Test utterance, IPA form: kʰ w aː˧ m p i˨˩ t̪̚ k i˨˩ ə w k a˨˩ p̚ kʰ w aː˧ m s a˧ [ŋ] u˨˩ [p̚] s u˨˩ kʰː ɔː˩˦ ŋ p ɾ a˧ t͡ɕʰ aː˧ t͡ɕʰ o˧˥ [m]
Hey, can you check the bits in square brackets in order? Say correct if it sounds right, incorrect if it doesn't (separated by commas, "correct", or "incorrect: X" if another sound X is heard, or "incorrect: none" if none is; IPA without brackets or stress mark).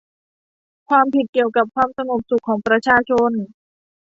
correct, correct, incorrect: n